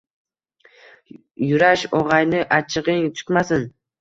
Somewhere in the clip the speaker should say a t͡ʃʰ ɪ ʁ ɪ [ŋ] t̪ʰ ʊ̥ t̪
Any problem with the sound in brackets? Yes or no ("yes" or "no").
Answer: no